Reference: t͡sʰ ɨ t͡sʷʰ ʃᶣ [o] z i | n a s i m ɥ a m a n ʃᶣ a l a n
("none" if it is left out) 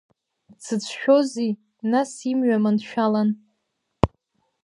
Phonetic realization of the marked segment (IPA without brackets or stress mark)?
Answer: o